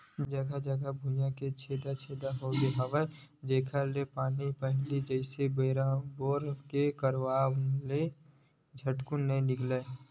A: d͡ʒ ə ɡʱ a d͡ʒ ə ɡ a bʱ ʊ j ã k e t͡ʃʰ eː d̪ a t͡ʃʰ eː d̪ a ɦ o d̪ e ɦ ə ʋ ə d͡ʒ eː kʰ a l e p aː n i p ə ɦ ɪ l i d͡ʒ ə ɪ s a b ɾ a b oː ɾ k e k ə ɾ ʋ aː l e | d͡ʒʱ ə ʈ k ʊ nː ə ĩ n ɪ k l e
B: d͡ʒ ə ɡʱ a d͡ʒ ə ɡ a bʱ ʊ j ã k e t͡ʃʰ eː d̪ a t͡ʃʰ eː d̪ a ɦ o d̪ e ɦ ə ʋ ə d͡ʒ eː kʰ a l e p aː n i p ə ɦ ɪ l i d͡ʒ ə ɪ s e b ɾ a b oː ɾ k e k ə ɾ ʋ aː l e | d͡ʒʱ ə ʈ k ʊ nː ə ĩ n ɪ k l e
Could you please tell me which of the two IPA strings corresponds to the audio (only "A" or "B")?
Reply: B